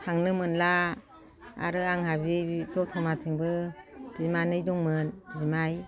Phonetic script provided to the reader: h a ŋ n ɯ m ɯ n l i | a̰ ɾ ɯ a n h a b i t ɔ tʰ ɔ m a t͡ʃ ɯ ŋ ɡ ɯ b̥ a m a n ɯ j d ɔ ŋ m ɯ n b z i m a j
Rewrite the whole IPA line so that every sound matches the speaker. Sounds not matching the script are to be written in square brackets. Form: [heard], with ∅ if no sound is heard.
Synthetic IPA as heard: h a ŋ n ɯ m ɯ n l [a] | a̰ ɾ ɯ a [ŋ] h a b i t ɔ tʰ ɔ m a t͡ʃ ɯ ŋ [b] ɯ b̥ [i] m a n ɯ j d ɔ ŋ m ɯ n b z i m a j